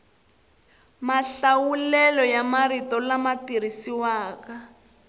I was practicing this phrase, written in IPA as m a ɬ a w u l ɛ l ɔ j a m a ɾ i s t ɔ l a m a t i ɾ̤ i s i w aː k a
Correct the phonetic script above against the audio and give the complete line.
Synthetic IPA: m a ɬ a w u l ɛ l ɔ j a m a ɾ i t ɔ l a m a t i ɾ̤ i s i w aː k a